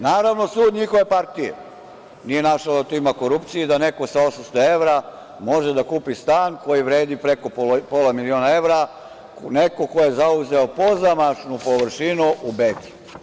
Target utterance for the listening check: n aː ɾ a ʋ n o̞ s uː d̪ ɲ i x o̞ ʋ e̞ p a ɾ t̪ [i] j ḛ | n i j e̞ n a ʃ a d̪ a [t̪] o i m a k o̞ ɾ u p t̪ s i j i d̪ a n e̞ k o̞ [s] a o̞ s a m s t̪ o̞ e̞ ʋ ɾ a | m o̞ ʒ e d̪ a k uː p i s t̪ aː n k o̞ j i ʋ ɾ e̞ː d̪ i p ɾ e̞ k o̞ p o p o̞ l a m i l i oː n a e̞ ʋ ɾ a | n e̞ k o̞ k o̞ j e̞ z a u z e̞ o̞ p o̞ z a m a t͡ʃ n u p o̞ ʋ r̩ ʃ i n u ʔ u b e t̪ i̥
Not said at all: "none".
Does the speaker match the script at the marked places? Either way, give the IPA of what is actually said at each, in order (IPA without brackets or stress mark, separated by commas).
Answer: i, t̪, s